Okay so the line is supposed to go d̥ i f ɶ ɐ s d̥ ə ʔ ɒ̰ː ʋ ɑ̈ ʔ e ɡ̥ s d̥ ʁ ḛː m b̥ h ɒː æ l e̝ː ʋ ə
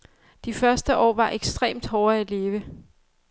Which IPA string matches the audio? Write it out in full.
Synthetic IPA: d̥ i f ɶ ɐ s d̥ ə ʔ ɒ̰ː ʋ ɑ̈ ʔ e ɡ̥ s d̥ ʁ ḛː m d̥ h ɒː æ l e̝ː ʋ ə